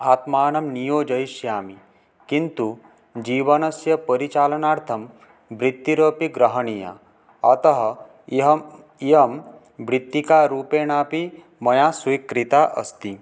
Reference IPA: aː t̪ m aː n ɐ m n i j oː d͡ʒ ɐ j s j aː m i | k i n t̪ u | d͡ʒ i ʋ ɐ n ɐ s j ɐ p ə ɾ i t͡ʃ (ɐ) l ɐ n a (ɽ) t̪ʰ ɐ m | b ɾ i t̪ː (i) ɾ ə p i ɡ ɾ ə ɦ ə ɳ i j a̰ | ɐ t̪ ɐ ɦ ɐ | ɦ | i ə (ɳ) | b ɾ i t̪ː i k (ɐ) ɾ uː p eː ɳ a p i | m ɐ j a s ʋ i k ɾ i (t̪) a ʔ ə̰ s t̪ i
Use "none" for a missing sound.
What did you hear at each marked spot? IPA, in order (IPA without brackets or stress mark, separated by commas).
a, ɾ, i, m, a, t̪